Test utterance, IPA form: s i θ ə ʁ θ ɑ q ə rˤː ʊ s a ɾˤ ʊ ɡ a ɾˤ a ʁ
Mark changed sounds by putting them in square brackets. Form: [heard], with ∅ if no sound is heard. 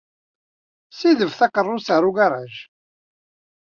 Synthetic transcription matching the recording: s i [ð] ə [v] θ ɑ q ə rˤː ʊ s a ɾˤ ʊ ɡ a ɾˤ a [ʒ]